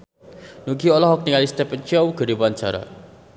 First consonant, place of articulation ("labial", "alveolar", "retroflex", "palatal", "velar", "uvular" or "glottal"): alveolar